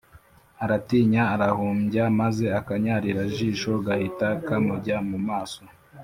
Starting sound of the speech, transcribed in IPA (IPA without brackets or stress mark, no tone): a